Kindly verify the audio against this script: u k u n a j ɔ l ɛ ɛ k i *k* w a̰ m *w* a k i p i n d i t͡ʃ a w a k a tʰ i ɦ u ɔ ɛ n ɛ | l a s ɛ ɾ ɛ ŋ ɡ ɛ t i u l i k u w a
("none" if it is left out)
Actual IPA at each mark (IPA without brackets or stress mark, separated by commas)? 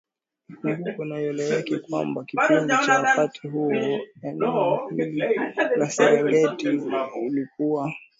k, b